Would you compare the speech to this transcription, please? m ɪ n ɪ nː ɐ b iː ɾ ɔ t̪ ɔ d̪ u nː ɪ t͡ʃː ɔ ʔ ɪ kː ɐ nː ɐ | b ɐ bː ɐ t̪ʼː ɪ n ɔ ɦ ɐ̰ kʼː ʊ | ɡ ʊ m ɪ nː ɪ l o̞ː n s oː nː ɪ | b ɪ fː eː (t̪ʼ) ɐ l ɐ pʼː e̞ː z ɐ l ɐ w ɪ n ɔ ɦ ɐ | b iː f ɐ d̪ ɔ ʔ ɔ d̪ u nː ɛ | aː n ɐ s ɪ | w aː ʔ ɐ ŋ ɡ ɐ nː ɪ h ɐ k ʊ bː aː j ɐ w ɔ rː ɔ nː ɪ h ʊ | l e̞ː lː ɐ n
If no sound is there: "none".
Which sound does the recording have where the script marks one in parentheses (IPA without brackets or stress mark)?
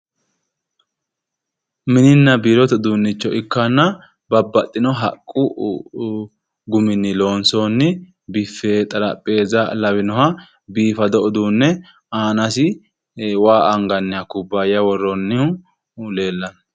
t̪ʼ